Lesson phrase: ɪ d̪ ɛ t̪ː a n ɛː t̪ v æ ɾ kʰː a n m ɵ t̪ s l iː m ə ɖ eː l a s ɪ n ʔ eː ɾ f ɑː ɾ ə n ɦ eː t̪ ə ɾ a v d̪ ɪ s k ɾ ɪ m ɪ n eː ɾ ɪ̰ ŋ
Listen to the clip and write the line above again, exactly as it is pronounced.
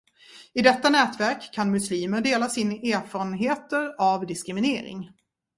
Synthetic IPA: ɪ d̪ ɛ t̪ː a n ɛː t̪ v æ ɾ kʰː a n m ɵ s l iː m ə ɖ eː l a s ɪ n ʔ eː ɾ f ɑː ɾ ə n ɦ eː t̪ ə ɾ a v d̪ ɪ s k ɾ ɪ m ɪ n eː ɾ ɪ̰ ŋ

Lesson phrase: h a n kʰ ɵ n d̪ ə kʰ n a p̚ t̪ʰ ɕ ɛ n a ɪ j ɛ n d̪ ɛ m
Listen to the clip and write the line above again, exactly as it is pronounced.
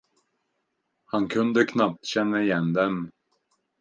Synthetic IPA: h a n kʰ ɵ n d̪ ə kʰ n a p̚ t̪ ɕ ɛ nː a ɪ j ɛ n d̪ ɛ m

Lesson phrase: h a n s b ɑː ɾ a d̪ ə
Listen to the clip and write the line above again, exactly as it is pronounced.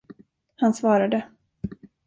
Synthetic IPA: h a n s v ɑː ɾ a d̪ ə

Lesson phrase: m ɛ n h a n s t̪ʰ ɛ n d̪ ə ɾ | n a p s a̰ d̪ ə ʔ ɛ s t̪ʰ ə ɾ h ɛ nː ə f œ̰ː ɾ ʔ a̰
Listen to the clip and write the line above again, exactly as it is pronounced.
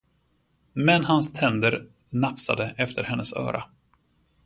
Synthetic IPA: m ɛ n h a n s t̪ʰ ɛ n d̪ ə ɾ | n a p s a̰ d̪ ə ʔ ɛ f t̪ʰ ə ɾ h ɛ nː ə s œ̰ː ɾ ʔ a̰

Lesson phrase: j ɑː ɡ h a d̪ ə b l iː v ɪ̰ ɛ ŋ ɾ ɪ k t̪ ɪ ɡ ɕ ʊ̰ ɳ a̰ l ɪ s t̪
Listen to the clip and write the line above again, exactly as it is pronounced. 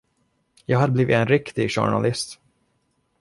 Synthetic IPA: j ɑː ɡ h a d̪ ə b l iː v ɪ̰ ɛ n ɾ ɪ k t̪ ɪ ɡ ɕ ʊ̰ ɳ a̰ l ɪ s t̪

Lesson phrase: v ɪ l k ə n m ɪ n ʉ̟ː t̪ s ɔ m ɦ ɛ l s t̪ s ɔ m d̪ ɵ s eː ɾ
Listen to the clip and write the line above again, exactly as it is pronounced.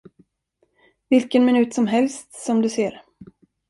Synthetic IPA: v ɪ l k ə n m ɪ n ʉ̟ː t̪ s ɔ m ɦ ɛ l s t̪ s ɔ m d̪ ɵ s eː ɾ

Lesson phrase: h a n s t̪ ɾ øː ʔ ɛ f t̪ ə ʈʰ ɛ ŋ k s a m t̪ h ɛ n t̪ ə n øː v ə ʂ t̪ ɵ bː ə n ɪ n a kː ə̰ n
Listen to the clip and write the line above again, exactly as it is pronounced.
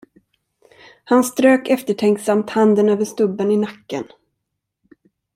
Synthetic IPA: h a n s t̪ ɾ øː k ɛ f t̪ ə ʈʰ ɛ ŋ k s a m t̪ h a n d̪ ə n øː v ə ʂ t̪ ɵ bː ə n ɪ n a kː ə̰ n

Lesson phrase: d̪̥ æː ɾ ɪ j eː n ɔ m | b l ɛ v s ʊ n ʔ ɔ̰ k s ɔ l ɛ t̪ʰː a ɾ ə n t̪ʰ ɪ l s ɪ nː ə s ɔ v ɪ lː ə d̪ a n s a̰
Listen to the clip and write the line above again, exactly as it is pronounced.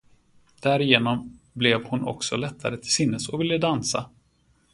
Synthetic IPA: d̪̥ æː ɾ ɪ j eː n ɔ m | b l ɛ v h ʊ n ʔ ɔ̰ k s ɔ l ɛ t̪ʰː a ɾ ə t̪ʰ ɪ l s ɪ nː ə s ɔ v ɪ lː ə d̪ a n s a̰

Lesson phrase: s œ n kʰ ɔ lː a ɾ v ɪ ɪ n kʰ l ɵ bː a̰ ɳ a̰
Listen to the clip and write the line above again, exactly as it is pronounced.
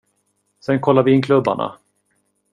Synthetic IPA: s ɛ n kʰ ɔ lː a ɾ v ɪ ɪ n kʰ l ɵ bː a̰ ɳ a̰

